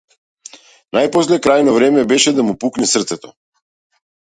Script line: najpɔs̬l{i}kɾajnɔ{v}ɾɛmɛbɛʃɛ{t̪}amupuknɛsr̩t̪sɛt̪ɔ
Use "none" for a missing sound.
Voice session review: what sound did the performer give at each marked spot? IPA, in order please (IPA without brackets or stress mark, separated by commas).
ɛ, v, d̪